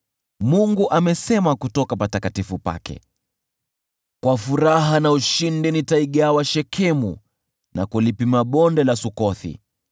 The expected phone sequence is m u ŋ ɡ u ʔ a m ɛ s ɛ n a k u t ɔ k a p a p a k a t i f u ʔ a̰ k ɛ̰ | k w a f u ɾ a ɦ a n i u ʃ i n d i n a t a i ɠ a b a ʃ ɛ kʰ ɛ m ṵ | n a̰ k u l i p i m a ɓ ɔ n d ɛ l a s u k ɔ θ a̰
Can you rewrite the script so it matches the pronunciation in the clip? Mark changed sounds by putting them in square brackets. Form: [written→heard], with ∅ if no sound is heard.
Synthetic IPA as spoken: m u ŋ ɡ u ʔ a m ɛ s ɛ [n→m] a k u t ɔ k a p a [p→t] a k a t i f u [ʔ→p] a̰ k ɛ̰ | k w a f u ɾ a ɦ a n [i→a] u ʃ i n d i n [a→i] t a i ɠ a [b→w] a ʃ ɛ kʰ ɛ m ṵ | n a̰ k u l i p i m a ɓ ɔ n d ɛ l a s u k ɔ θ [a̰→ḭ]